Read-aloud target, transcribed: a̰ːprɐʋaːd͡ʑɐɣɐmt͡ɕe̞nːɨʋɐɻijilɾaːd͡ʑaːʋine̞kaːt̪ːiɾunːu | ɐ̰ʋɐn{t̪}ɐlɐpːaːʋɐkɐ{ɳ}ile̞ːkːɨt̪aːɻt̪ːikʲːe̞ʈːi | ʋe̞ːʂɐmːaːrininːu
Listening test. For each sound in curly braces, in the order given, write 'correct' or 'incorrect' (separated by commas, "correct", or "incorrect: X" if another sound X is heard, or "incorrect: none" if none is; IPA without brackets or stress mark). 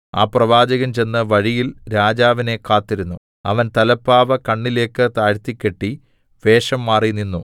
correct, incorrect: ɳː